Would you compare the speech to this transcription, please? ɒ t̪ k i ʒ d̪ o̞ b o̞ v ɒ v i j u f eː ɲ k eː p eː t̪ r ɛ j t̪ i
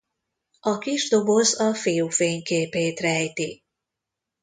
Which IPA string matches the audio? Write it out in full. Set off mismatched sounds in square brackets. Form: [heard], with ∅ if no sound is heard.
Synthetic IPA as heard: ɒ [∅] k i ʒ d̪ o̞ b o̞ [z] ɒ [f] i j u f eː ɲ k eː p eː t̪ r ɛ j t̪ i